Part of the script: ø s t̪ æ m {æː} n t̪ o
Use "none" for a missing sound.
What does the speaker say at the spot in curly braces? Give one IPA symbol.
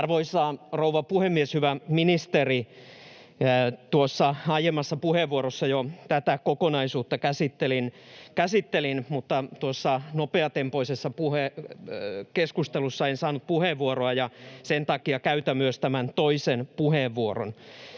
æ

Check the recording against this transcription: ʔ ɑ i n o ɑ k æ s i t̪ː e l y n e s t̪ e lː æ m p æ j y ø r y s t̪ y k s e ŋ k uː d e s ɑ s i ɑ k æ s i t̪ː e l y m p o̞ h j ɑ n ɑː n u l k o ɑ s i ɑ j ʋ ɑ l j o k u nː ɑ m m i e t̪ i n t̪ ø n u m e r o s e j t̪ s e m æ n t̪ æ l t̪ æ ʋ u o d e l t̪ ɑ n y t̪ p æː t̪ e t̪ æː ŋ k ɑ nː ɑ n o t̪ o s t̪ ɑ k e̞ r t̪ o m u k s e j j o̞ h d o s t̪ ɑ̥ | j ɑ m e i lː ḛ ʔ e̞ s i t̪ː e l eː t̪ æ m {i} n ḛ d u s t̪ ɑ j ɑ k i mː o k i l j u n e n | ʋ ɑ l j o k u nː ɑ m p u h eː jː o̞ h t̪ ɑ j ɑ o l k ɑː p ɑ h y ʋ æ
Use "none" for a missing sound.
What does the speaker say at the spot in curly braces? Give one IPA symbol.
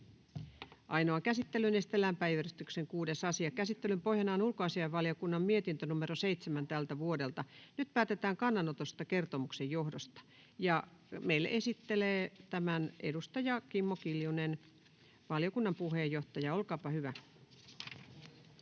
æ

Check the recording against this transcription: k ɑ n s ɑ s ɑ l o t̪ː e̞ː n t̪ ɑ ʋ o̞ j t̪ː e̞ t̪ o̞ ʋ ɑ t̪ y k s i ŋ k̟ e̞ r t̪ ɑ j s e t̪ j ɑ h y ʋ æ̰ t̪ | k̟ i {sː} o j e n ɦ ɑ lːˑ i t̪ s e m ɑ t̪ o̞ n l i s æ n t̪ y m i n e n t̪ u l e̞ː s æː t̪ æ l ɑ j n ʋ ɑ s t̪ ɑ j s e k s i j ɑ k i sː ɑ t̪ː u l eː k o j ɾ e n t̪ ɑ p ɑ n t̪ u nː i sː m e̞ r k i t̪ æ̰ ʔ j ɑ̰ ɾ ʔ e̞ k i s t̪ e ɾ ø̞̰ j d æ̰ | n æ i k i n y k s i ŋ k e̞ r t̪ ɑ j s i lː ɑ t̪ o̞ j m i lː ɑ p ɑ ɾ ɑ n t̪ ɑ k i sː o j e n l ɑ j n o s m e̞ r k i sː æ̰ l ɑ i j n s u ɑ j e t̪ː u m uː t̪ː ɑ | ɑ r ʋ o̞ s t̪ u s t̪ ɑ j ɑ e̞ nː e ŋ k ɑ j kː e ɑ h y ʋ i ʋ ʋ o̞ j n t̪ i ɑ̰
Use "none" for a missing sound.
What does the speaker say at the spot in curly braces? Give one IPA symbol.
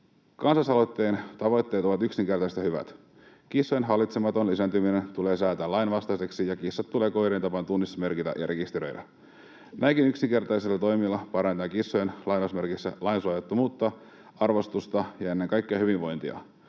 sː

